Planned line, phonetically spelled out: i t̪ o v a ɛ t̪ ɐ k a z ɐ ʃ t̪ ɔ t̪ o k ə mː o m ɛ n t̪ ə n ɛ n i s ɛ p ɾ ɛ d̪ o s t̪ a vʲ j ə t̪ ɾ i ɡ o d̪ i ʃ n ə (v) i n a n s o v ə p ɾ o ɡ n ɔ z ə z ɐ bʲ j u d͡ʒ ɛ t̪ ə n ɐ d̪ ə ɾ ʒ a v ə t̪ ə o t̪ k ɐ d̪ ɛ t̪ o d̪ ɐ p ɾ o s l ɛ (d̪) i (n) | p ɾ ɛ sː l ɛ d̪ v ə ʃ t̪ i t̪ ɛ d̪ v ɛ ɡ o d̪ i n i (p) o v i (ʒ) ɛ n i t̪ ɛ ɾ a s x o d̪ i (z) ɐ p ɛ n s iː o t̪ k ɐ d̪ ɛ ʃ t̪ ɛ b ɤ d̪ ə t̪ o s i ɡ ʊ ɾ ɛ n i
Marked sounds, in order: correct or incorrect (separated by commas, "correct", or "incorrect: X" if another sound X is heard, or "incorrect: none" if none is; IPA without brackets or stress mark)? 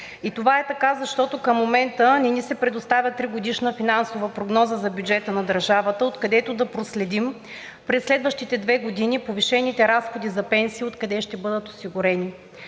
incorrect: f, correct, incorrect: m, correct, incorrect: ʃ, correct